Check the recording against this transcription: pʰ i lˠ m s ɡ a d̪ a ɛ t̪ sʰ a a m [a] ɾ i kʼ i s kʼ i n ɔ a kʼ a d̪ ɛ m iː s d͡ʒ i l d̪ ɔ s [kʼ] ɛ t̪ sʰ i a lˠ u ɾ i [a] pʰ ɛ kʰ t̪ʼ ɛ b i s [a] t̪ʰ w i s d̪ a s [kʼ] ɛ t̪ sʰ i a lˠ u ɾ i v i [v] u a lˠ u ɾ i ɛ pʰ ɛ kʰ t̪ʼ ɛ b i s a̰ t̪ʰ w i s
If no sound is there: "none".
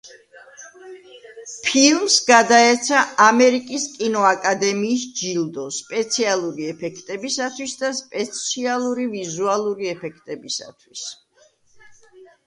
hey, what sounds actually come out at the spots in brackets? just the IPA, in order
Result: ɛ, pʼ, ɛ, a, pʼ, z

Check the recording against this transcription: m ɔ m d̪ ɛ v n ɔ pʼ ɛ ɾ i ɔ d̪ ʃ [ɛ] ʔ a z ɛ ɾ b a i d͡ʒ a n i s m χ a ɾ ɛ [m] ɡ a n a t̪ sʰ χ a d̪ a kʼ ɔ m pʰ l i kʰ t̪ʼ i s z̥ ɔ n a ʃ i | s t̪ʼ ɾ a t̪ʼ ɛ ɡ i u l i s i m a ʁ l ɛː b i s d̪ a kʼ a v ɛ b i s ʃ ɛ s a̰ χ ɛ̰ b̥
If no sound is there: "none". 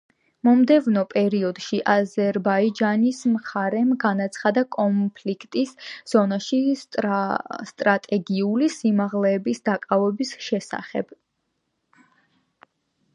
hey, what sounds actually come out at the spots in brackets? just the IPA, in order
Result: i, m

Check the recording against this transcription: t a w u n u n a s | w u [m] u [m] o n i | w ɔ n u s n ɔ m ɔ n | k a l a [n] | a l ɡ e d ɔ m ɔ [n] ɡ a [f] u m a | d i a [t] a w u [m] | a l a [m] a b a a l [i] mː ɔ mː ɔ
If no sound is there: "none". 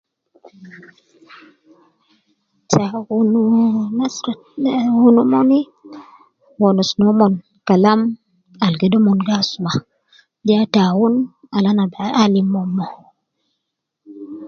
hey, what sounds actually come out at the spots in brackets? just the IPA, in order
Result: n, m, m, n, s, t, n, n, i

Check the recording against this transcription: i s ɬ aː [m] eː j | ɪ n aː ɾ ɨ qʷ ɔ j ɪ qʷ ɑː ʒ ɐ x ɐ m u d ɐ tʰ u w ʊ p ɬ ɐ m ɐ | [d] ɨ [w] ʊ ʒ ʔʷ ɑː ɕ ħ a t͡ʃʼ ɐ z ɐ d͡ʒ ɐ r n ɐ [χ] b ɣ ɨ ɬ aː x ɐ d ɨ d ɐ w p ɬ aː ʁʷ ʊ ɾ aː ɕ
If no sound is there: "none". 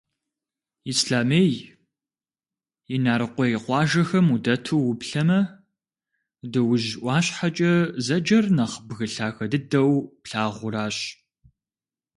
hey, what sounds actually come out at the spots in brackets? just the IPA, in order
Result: m, d, w, χ

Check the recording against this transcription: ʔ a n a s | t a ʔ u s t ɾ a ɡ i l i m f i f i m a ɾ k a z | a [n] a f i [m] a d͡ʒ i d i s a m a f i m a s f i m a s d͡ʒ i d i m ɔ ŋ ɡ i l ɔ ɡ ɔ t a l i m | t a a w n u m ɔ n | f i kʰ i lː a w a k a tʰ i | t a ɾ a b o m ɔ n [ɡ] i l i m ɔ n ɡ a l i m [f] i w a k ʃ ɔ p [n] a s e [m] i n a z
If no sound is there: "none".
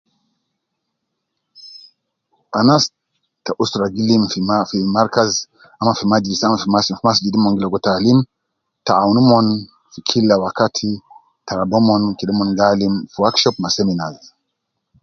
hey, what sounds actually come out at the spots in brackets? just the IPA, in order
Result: m, m, k, f, m, m

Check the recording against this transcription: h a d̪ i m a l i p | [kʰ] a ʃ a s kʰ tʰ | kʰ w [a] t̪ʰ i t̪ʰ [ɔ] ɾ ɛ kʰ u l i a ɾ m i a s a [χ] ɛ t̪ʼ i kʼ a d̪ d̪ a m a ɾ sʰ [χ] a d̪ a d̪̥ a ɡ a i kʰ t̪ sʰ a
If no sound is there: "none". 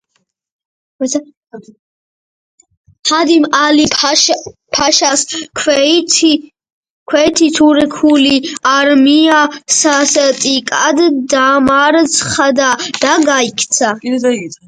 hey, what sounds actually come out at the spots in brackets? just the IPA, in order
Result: pʰ, ɛ, u, s, χ

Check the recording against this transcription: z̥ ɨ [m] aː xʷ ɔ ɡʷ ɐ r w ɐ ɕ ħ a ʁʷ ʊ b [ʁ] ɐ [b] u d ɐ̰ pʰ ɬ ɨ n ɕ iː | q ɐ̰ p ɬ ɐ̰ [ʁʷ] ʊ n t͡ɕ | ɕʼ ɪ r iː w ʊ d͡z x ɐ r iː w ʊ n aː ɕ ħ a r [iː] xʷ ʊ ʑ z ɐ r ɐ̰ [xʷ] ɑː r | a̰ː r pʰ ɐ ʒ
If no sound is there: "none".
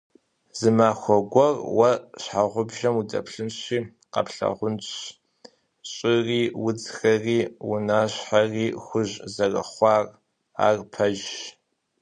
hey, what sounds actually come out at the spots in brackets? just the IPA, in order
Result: m, ʒ, m, ʁʷ, iː, χʷ

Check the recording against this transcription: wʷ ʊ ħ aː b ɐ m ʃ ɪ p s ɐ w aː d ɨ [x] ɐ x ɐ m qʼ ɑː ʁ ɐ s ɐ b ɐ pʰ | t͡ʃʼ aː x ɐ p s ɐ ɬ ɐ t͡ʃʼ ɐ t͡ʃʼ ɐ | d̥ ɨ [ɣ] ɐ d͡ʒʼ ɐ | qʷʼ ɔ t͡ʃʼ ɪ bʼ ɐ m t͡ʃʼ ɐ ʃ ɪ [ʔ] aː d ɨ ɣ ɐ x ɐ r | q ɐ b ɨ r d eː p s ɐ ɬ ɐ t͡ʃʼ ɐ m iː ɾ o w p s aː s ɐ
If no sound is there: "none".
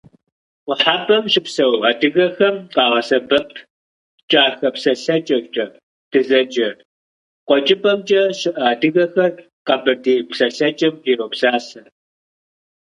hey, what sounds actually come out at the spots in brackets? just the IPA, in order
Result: ɣ, z, ʔ

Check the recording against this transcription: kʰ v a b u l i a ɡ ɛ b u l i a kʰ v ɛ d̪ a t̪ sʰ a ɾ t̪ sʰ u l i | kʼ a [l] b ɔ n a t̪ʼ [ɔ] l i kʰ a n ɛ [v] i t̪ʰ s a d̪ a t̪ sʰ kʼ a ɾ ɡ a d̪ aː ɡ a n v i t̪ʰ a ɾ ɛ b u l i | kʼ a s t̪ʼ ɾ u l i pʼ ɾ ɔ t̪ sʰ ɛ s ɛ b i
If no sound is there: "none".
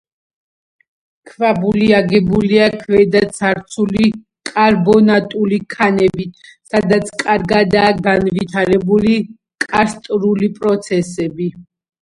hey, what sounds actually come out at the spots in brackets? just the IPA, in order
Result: ɾ, u, b

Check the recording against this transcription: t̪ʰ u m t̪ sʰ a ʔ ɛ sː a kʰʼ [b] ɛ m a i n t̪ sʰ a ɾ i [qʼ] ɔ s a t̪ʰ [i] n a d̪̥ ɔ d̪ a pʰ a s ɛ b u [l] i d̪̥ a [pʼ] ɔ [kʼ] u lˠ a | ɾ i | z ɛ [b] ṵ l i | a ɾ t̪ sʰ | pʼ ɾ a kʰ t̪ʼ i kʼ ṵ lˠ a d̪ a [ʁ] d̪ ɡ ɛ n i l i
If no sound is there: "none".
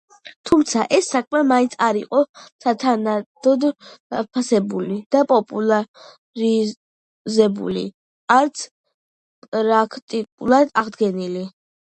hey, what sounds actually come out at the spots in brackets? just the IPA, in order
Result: m, qʼ, a, l, pʼ, pʼ, b, ʁ

